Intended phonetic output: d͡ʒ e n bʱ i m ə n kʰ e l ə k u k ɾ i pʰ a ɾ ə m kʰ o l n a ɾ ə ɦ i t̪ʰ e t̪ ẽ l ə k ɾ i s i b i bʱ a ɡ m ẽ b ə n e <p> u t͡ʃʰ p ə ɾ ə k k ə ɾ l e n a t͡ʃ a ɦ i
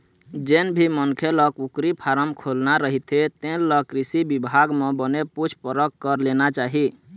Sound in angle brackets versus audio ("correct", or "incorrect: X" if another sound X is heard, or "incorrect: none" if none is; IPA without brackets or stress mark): correct